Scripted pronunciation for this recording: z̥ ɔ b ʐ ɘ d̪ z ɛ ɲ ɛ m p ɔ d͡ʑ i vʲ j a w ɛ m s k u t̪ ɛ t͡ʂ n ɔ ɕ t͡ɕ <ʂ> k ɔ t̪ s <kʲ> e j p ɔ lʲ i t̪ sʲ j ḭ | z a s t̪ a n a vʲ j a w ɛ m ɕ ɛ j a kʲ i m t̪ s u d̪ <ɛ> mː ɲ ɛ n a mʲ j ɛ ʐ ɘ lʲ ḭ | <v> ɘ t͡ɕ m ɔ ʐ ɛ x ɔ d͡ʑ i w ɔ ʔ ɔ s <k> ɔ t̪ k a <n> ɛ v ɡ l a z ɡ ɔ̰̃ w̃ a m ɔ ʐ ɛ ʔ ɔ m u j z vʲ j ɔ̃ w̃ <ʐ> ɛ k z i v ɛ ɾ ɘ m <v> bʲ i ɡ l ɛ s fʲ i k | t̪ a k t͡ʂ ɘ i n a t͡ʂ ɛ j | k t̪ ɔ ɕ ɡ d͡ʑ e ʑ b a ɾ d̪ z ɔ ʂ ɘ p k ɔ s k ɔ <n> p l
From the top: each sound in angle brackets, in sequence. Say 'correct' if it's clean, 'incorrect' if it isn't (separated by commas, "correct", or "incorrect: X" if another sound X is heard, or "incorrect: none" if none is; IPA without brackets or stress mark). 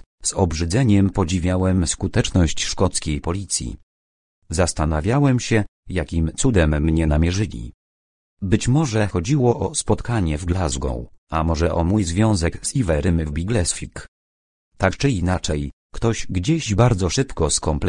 correct, correct, correct, incorrect: b, incorrect: p, incorrect: ɲ, incorrect: z, correct, incorrect: m